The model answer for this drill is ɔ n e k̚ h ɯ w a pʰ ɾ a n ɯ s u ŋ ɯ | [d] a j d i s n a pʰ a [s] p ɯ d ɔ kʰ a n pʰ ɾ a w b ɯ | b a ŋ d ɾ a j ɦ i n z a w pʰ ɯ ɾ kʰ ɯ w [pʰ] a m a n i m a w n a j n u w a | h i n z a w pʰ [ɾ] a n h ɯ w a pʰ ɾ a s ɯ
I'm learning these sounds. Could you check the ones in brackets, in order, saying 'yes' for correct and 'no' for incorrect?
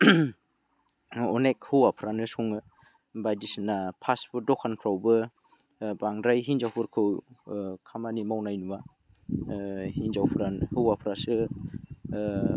no, yes, no, yes

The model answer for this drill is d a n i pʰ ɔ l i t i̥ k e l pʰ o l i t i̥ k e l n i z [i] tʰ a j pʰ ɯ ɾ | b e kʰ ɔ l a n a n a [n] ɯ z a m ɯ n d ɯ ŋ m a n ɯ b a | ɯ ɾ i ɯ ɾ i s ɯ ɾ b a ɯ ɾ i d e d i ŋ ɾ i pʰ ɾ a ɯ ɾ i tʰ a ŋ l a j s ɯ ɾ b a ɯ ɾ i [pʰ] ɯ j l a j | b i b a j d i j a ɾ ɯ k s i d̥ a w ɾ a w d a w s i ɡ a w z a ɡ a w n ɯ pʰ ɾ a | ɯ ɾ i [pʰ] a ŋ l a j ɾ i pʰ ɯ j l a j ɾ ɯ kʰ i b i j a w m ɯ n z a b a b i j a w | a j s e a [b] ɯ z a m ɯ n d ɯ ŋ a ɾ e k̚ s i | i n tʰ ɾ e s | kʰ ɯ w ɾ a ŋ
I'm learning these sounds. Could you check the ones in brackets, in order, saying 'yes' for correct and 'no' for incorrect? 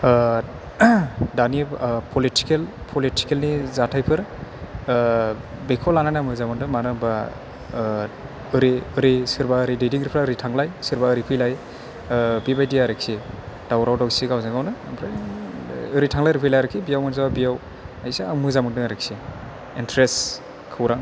no, no, yes, no, no

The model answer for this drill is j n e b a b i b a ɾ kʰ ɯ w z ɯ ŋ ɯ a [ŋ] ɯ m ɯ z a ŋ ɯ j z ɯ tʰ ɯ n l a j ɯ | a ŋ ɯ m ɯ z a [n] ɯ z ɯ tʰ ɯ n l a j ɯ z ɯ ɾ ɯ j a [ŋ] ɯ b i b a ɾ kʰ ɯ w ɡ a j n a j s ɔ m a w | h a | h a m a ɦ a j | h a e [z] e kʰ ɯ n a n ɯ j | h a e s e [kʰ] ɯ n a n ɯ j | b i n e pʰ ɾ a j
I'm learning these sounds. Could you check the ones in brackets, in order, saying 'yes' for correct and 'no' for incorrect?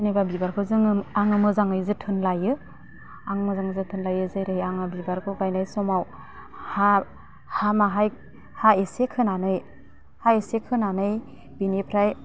yes, no, yes, no, yes

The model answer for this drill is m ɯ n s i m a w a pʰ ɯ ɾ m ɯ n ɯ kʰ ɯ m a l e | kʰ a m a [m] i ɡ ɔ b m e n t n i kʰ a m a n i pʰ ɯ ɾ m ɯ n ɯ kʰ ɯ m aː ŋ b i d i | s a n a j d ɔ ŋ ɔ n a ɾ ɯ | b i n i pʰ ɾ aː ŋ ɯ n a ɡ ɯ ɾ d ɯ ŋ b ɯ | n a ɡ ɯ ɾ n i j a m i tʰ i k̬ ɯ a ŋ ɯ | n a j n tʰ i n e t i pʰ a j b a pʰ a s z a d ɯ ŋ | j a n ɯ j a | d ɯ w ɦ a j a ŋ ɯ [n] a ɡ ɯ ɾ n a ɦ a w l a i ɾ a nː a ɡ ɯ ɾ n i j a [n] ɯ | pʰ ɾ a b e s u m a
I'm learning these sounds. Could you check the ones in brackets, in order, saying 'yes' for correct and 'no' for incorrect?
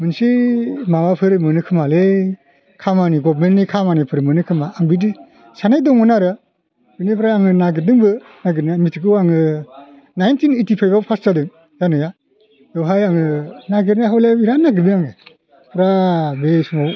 no, yes, no

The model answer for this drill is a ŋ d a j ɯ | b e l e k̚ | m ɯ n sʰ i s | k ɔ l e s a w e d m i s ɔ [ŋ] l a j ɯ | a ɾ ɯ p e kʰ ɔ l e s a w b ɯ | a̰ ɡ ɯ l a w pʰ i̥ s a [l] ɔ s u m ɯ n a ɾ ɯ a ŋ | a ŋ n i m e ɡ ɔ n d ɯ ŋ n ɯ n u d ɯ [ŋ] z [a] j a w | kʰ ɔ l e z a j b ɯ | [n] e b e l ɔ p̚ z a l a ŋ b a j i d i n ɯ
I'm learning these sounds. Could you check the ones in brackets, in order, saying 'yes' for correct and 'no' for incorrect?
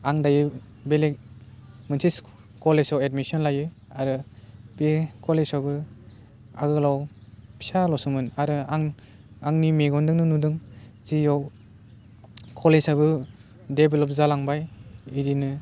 no, yes, yes, no, no

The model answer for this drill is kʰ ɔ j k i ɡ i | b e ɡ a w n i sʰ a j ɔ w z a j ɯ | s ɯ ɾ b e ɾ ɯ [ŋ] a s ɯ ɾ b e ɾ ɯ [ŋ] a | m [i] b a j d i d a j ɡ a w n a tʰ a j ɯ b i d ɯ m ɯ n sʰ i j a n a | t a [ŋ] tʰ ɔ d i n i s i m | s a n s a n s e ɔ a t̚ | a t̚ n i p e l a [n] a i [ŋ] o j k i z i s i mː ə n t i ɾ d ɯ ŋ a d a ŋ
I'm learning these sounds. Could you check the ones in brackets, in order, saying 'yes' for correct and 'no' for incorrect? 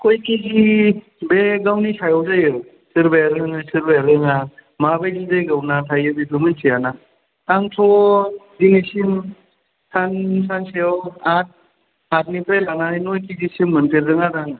yes, yes, no, yes, yes, no

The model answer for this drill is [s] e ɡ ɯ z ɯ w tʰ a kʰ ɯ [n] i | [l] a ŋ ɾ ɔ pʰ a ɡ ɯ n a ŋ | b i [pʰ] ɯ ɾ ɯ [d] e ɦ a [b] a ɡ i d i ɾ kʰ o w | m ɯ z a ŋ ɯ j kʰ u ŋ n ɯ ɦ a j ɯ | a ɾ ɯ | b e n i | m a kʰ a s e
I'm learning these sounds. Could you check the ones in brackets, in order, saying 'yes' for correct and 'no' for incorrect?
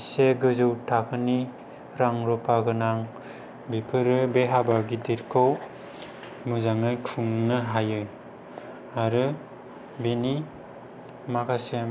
yes, yes, no, yes, no, yes

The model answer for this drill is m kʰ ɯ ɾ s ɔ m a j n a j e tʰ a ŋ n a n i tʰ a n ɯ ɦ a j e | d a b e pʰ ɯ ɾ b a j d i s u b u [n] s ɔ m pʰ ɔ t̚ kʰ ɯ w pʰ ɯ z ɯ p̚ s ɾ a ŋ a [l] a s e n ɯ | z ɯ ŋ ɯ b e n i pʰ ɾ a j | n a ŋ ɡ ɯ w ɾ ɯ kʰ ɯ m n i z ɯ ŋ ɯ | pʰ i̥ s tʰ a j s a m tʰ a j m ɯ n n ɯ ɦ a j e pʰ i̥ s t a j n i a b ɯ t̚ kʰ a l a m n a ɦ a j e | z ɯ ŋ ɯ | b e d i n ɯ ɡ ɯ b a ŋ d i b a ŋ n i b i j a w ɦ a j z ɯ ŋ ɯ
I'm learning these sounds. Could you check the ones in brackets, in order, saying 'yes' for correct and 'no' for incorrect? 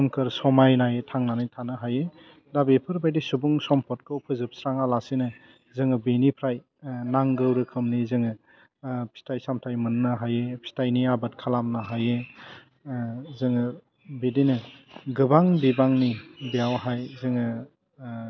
no, yes

